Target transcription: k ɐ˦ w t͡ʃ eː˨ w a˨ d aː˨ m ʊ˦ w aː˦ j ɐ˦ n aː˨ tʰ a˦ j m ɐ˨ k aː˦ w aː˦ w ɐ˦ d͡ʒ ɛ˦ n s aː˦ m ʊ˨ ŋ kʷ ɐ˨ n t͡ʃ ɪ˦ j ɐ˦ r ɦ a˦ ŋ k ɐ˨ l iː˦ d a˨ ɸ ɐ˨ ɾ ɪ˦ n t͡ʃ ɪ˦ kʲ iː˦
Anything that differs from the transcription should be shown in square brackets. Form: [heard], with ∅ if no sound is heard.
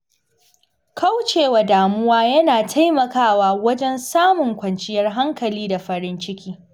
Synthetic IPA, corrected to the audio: k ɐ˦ w t͡ʃ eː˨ w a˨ d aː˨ m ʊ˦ w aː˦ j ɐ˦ n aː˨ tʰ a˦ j m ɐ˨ k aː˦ w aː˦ w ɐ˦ d͡ʒ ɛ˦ n s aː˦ m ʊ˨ ŋ kʷ ɐ˨ n t͡ʃ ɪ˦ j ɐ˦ r ɦ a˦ ŋ k ɐ˨ l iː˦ d a˨ ɸ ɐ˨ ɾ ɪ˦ n t͡ʃ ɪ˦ kʲ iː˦

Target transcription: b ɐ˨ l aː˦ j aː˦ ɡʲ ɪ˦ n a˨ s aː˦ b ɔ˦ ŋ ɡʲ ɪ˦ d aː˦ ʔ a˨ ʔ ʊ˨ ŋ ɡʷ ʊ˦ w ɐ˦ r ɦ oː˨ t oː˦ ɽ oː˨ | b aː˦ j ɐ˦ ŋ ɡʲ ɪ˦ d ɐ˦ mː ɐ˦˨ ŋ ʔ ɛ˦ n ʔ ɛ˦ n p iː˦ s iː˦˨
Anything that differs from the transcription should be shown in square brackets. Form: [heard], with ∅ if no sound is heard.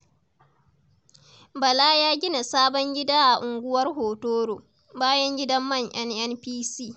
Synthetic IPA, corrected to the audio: b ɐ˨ l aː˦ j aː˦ ɡʲ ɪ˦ n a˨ s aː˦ b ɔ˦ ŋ ɡʲ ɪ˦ d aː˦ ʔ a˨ ʔ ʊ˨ ŋ ɡʷ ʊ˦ w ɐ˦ r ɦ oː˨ t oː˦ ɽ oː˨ | b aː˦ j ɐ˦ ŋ ɡʲ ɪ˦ d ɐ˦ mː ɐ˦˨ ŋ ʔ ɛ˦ n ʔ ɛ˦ n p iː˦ s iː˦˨

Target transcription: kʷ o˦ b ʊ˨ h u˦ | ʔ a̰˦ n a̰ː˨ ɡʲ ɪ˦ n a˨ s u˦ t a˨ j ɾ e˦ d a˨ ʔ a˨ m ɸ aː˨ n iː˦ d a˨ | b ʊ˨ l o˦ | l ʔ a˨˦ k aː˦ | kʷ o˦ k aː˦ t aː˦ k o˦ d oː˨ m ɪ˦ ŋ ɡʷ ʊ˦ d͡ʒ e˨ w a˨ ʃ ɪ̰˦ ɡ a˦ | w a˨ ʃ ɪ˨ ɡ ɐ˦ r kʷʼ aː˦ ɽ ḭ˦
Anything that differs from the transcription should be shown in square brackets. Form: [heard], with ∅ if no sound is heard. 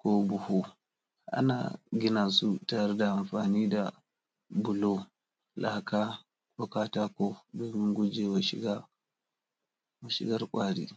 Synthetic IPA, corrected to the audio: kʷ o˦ b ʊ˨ h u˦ | ʔ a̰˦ n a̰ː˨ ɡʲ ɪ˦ n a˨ s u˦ t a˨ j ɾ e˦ d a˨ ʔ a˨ m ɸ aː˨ n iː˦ d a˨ | b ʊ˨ l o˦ | l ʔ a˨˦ k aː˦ | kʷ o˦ k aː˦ t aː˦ k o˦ d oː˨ m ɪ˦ ŋ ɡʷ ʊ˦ d͡ʒ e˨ w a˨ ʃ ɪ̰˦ ɡ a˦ | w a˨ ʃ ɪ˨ ɡ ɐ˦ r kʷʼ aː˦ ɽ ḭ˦

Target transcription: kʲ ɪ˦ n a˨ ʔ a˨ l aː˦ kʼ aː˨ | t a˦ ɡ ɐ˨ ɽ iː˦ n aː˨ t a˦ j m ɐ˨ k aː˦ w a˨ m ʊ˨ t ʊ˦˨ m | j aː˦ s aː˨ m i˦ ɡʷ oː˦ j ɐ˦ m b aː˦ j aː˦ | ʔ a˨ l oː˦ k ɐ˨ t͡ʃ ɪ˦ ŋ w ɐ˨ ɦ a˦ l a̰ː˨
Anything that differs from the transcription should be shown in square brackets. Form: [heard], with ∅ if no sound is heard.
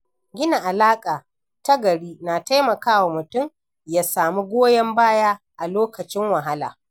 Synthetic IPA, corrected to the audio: [ɡʲ] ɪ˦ n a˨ ʔ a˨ l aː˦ kʼ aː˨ | t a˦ ɡ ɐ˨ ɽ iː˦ n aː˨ t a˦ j m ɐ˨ k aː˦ w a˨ m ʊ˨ t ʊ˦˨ m | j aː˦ s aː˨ m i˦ ɡʷ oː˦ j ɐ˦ m b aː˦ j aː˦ | ʔ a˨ l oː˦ k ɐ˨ t͡ʃ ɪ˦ ŋ w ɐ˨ ɦ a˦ l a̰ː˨

